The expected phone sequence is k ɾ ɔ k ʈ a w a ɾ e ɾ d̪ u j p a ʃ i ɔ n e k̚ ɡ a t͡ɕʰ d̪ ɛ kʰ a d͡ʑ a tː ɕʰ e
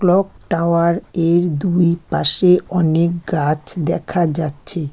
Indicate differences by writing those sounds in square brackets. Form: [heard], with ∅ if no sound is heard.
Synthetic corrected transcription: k [l] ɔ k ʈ a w a ɾ e ɾ d̪ u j p a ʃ [e] ɔ n e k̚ ɡ a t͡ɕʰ d̪ ɛ kʰ a d͡ʑ a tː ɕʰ e